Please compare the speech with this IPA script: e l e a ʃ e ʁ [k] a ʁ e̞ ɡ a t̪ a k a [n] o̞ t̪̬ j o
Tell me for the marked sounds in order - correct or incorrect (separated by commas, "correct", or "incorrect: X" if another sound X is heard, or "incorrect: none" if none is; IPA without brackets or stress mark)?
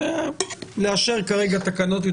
correct, correct